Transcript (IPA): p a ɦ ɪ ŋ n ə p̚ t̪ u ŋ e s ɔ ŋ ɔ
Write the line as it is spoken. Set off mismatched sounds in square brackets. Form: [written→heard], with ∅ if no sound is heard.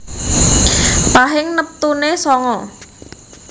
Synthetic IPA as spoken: p a ɦ ɪ ŋ n ə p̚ t̪ u [ŋ→n] e s ɔ ŋ ɔ